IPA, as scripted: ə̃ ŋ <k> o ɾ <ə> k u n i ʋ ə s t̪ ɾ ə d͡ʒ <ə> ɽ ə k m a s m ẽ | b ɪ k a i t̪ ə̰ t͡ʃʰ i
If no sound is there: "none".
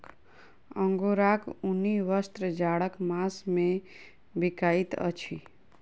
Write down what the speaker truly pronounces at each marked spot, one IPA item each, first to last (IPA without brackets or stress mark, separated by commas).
ɡ, a, a